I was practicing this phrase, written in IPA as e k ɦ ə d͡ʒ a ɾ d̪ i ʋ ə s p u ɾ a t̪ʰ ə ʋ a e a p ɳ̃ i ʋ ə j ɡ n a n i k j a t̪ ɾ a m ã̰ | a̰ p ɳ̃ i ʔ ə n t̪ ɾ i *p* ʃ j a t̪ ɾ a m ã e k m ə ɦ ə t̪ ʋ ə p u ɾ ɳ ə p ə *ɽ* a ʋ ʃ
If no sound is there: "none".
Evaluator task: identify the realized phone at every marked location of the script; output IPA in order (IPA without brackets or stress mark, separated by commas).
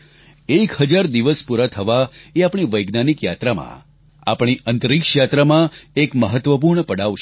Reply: k, ɽ